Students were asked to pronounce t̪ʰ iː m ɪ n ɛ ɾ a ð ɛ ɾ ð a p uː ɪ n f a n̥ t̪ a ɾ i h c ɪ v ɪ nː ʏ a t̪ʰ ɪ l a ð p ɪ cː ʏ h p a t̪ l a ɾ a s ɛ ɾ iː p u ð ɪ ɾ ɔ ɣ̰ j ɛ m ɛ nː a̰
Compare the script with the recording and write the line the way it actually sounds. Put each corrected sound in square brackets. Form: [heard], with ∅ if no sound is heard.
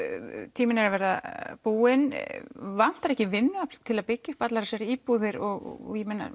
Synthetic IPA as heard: t̪ʰ iː m ɪ n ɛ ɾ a [v] ɛ ɾ ð a p uː ɪ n [v] a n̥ t̪ a ɾ [ɛ] h c ɪ v ɪ nː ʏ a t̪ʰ ɪ l a ð p ɪ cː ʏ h p a t̪ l a ɾ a s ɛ ɾ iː p u ð ɪ ɾ ɔ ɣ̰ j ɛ m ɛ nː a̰